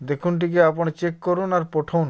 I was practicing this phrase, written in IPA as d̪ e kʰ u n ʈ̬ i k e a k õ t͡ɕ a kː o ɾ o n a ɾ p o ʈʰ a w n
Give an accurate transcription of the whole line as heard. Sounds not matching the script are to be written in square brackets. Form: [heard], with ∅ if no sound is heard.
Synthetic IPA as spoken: d̪ e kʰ u n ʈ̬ i k e a [p] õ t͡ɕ [e] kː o ɾ [u] n a ɾ p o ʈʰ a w n